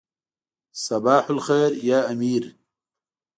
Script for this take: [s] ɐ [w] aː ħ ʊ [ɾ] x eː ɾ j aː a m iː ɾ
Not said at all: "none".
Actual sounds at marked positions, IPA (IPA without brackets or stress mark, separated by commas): s, b, l